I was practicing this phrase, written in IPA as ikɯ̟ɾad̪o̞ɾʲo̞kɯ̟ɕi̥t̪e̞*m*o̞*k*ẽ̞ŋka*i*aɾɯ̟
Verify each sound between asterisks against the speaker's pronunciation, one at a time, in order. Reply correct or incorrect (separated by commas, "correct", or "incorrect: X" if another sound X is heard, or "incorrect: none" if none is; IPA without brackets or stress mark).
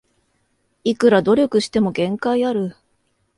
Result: correct, incorrect: ɡ, correct